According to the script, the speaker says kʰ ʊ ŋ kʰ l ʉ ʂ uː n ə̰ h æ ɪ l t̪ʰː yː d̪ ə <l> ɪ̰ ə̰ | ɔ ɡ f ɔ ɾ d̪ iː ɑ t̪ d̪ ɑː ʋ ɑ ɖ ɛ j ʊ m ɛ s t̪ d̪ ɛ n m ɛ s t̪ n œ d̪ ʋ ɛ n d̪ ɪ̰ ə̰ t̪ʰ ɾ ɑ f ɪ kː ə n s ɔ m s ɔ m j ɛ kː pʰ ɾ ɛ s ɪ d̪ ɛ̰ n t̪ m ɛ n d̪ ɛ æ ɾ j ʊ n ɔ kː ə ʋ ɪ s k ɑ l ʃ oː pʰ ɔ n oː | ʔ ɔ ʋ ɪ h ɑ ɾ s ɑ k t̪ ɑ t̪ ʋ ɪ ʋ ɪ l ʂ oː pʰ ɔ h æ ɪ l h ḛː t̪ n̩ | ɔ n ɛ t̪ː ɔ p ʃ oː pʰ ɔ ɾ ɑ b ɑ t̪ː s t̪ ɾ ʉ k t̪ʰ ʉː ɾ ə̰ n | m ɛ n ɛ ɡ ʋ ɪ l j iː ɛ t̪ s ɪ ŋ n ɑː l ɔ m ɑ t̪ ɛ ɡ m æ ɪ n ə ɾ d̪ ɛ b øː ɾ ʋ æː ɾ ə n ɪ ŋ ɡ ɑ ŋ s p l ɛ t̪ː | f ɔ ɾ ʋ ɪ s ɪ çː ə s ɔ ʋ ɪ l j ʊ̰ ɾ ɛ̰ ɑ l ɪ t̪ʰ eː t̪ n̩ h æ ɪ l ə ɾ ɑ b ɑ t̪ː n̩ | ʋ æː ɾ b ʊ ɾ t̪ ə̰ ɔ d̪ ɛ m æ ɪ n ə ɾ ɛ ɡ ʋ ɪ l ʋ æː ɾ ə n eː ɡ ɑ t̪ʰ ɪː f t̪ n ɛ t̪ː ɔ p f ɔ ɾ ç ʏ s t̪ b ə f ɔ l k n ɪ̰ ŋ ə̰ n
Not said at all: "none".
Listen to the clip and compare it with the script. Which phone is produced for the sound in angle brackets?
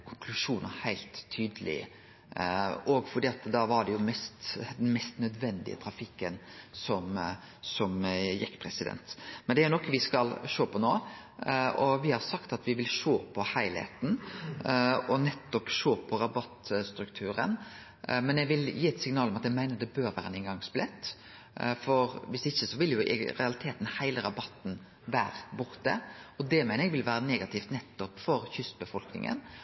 l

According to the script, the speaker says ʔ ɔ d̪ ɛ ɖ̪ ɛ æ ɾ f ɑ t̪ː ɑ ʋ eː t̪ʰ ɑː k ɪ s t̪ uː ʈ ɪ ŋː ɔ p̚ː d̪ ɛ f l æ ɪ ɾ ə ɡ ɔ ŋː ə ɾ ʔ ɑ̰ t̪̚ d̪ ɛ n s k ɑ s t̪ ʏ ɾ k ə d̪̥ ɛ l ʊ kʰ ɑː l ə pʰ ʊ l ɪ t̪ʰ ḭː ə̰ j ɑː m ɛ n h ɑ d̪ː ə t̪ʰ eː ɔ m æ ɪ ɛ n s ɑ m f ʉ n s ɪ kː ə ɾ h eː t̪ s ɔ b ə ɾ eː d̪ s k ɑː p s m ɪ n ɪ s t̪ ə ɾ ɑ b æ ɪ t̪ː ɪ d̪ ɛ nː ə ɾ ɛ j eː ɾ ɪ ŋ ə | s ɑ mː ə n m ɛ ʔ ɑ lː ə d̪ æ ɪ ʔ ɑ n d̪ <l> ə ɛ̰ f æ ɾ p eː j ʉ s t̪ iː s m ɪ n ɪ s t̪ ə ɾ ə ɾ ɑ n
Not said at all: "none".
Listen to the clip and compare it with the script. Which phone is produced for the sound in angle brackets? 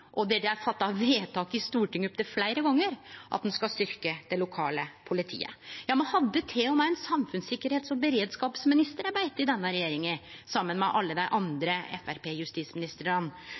ɾ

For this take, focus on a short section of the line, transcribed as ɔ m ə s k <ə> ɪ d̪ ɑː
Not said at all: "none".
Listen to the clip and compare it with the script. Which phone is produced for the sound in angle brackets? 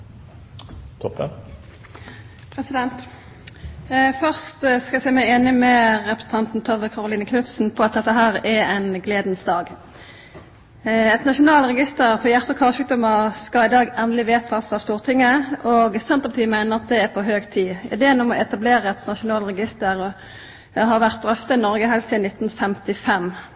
ɑ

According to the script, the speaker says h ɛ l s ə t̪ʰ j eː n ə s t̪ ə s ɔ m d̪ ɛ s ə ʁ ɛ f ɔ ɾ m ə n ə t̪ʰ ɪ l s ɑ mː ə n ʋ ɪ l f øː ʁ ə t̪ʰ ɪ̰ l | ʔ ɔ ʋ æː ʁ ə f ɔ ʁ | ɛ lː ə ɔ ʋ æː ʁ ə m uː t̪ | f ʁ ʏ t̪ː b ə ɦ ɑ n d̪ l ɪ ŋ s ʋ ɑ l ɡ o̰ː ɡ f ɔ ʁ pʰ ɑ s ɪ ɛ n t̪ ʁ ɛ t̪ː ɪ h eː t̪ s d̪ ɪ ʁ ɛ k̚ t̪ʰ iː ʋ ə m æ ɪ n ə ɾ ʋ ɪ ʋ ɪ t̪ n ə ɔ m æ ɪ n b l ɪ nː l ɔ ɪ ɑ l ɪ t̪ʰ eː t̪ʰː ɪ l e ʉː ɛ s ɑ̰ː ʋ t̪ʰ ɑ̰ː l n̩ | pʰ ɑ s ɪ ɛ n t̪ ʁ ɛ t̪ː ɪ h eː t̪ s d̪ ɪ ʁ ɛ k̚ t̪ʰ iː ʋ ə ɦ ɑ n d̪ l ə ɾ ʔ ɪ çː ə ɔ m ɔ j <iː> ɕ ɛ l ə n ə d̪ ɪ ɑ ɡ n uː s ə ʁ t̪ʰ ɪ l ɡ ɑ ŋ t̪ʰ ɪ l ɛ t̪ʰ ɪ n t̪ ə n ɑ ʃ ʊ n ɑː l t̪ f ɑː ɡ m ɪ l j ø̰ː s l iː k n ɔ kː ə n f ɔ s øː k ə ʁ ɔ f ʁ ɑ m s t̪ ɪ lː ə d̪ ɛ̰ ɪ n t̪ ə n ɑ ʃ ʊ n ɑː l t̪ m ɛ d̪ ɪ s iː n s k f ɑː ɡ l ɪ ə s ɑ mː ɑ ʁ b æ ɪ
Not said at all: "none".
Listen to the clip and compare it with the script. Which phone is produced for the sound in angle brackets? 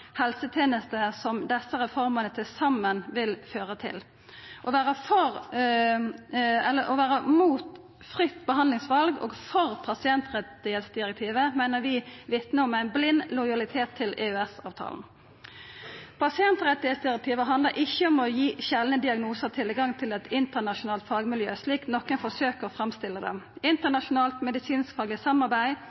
iː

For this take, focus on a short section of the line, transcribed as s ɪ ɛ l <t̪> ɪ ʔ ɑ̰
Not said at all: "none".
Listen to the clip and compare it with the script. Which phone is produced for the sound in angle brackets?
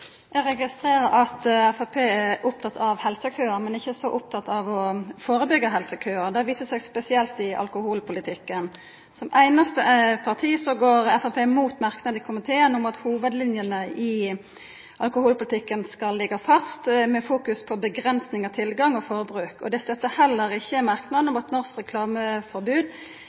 t̪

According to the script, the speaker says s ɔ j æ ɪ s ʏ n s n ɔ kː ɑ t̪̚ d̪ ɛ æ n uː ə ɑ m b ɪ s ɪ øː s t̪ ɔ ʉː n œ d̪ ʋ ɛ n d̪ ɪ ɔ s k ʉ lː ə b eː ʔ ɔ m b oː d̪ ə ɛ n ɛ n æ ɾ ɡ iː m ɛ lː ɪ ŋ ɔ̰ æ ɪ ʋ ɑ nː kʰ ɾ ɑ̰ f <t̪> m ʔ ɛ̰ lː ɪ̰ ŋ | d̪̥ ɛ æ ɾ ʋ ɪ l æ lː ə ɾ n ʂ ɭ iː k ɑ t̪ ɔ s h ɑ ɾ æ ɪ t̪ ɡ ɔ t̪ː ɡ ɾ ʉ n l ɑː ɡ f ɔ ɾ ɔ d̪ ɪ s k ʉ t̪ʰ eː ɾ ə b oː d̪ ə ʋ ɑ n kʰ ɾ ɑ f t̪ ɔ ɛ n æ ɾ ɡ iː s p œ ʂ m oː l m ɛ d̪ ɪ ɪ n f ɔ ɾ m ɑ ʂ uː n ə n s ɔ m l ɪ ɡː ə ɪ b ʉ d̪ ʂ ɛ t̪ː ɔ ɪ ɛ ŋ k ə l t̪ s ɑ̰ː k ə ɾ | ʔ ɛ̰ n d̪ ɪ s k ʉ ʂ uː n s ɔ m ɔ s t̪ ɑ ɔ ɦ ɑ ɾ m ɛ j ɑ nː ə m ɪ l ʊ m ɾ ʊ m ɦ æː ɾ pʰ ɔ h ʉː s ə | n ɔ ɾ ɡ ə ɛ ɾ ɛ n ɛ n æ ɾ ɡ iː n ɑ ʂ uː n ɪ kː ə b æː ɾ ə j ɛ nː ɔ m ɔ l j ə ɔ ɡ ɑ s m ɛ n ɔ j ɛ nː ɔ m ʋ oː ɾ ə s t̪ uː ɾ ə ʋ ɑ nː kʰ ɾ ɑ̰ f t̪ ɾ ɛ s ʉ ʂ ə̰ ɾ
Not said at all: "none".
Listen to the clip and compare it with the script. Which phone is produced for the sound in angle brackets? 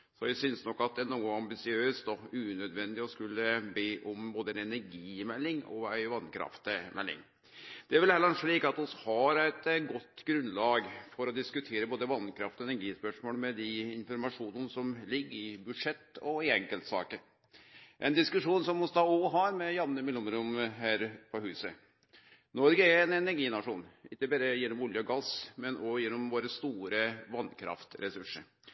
t̪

